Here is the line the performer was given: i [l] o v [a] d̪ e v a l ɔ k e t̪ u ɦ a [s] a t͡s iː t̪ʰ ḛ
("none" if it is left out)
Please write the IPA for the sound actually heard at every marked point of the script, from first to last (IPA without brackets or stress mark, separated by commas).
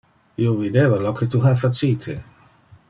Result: none, i, f